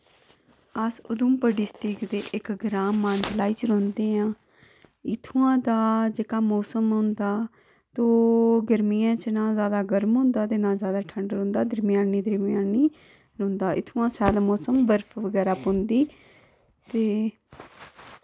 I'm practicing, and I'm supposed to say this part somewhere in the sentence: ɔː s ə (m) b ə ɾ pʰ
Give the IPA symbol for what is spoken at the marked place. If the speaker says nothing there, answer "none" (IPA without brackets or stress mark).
m